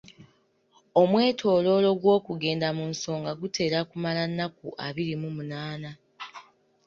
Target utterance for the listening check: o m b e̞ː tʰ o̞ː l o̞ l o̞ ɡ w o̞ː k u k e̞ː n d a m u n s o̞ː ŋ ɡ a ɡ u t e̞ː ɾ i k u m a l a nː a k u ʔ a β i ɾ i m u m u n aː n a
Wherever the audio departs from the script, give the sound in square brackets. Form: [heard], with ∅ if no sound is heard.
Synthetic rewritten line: o m [w] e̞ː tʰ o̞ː l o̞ l o̞ ɡ w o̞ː k u [ɡ] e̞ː n d a m u n s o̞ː ŋ ɡ a ɡ u t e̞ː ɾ [a] k u m a l a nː a k u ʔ a β i ɾ i m u m u n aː n a

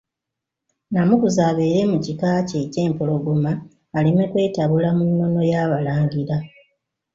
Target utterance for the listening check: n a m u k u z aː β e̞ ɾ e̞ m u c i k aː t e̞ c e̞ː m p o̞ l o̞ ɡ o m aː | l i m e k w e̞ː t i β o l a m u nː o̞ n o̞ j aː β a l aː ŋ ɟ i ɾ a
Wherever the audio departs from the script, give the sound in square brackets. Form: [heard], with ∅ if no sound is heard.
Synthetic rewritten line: n a m u k u z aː β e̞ ɾ e̞ m u c i k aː [c] e̞ c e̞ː m p o̞ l o̞ ɡ o m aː | l i m e k w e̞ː t [a] β [u] l a m u nː o̞ n o̞ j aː β a l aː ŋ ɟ i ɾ a

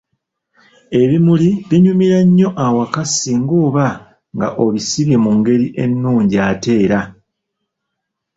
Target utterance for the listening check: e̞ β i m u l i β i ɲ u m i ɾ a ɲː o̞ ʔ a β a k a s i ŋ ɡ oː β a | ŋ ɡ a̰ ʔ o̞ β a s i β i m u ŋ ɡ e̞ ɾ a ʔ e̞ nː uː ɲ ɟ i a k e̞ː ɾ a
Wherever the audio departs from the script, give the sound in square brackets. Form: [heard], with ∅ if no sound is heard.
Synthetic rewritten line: e̞ β i m u l i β i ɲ u m i ɾ a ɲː o̞ ʔ a [w] a k a s i ŋ ɡ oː β a | ŋ ɡ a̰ ʔ o̞ β [i] s i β i m u ŋ ɡ e̞ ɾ [i] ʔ e̞ nː uː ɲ ɟ i a [t] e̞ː ɾ a

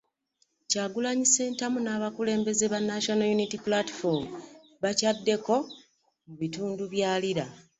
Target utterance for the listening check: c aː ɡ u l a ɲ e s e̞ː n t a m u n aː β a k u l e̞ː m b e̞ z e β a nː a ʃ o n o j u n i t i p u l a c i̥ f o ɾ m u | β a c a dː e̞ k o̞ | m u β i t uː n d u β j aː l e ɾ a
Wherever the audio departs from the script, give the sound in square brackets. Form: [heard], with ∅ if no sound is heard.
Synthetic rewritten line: c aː ɡ u l a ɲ [i] s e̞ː n t a m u n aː β a k u l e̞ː m b e̞ z e β a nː a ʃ o n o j u n i t i p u l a [t] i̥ f o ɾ m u | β a c a dː e̞ k o̞ | m u β i t uː n d u β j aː l [i] ɾ a

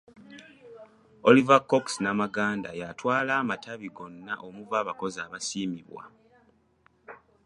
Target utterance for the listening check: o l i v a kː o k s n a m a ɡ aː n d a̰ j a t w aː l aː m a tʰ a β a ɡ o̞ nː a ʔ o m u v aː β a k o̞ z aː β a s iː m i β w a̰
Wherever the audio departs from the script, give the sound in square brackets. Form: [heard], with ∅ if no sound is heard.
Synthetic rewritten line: o l i v a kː o k s n a m a ɡ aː n d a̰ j a t w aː l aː m a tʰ a β [i] ɡ o̞ nː a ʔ o m u v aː β a k o̞ z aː β a s iː m i β w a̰

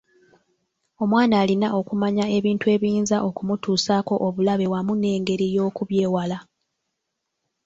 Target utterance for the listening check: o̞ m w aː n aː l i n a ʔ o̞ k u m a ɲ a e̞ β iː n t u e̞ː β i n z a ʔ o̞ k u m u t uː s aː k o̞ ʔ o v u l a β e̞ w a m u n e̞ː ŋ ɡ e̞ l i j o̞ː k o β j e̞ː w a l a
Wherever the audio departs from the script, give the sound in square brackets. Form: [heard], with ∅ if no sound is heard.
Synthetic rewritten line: o̞ m w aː n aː l i n a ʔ o̞ k u m a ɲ a e̞ β iː n t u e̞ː β [iː] n z a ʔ o̞ k u m u t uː s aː k o̞ ʔ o [β] u l a β e̞ w a m u n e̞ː ŋ ɡ e̞ [ɾ] i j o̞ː k [u] β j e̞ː w a l a

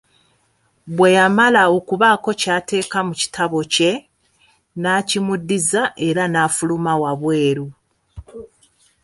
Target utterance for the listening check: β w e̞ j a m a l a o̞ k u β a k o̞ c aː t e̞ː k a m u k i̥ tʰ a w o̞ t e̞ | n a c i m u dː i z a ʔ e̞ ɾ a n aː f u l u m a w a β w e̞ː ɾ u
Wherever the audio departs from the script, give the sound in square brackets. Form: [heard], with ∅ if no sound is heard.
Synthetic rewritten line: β w e̞ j a m a l a o̞ k u β a k o̞ c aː t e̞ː k a m u [c] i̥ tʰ a [β] o̞ [c] e̞ | n a c i m u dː i z a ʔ e̞ ɾ a n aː f u l u m a w a β w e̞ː ɾ u

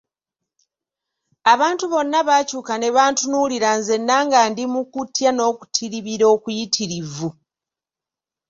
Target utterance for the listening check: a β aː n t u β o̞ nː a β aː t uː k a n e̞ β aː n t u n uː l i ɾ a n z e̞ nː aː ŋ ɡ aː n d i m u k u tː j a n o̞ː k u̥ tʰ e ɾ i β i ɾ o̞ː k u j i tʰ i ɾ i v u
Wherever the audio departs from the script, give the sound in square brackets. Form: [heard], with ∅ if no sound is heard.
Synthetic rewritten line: a β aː n t u β o̞ nː a β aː [c] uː k a n e̞ β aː n t u n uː l i ɾ a n z e̞ nː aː ŋ ɡ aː n d i m u k u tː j a n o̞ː k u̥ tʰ [i] ɾ i β i ɾ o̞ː k u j i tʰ i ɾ i v u

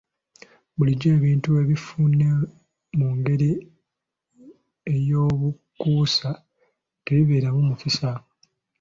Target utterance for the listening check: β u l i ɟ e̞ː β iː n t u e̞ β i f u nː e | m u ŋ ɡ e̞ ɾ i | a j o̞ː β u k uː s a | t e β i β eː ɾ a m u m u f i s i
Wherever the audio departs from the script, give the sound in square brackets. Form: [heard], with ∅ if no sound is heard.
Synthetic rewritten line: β u l i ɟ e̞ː β iː n t u e̞ β i f u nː e | m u ŋ ɡ e̞ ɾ i | [e] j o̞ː β u k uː s a | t e β i β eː ɾ a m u m u f i s [a]

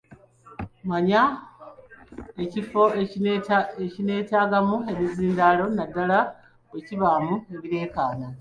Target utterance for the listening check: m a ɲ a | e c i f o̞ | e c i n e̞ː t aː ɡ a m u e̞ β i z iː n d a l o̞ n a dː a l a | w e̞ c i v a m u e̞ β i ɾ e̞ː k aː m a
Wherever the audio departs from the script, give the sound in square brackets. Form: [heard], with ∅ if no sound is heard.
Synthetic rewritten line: m a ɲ a | e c i f o̞ | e c i n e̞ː t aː ɡ a m u e̞ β i z iː n d a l o̞ n a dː a l a | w e̞ c i [β] a m u e̞ β i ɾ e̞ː k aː [n] a

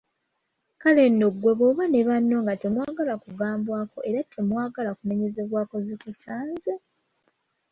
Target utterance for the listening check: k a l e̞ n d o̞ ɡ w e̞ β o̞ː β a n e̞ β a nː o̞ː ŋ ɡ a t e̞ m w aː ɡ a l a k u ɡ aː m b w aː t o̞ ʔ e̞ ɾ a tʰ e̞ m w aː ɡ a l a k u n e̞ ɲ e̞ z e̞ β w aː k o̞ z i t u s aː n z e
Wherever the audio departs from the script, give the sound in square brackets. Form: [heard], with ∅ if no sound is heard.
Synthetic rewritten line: k a l e̞ n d o̞ ɡ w e̞ β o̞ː β a n e̞ β a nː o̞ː ŋ ɡ a t e̞ m w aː ɡ a l a k u ɡ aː m b w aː [k] o̞ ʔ e̞ ɾ a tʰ e̞ m w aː ɡ a l a k u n e̞ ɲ e̞ z e̞ β w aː k o̞ z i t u s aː n z e

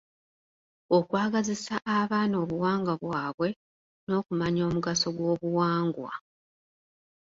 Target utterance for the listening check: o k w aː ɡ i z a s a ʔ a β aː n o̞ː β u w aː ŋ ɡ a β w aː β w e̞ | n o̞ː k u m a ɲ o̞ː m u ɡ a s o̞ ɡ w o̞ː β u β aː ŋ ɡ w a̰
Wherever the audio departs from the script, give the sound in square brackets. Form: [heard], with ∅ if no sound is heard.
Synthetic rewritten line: o k w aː ɡ [a] z [i] s a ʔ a β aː n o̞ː β u w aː ŋ ɡ a β w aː β w e̞ | n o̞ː k u m a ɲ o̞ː m u ɡ a s o̞ ɡ w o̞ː β u [w] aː ŋ ɡ w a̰

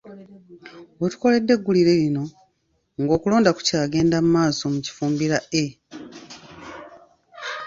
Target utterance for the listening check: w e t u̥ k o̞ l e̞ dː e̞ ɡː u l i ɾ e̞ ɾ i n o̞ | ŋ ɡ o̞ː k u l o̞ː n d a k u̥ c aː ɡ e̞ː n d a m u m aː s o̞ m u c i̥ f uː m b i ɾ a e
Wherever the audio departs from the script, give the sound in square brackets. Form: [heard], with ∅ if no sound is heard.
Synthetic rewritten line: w e t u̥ k o̞ l e̞ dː e̞ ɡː u l i ɾ e̞ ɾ i n o̞ | ŋ ɡ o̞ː k u l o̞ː n d a k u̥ c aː ɡ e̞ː n d a m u m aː s o̞ m u c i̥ f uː m b i ɾ a e

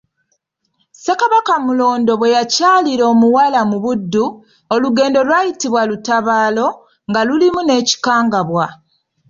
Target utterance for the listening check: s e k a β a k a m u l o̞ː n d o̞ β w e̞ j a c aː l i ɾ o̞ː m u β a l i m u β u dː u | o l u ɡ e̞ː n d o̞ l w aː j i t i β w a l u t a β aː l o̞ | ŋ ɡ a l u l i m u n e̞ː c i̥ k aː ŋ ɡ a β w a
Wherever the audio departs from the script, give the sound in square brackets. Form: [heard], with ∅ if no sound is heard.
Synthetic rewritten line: s e k a β a k a m u l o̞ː n d o̞ β w e̞ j a c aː l i ɾ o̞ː m u [w] a l [a] m u β u dː u | o l u ɡ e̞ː n d o̞ l w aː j i t i β w a l u t a β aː l o̞ | ŋ ɡ a l u l i m u n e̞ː c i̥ k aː ŋ ɡ a β w a

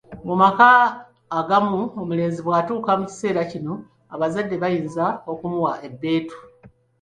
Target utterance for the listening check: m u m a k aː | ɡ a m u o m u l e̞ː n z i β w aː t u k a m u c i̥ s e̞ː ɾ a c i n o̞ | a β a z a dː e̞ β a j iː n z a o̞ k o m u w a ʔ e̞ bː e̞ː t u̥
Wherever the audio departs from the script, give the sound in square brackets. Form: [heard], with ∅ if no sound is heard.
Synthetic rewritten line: m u m a k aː | ɡ a m u o m u l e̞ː n z i β w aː t [uː] k a m u c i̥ s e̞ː ɾ a c i n o̞ | a β a z a dː e̞ β a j iː n z a o̞ k [u] m u w a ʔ e̞ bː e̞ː t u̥

